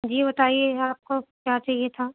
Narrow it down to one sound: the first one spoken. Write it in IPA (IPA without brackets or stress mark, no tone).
d͡ʒ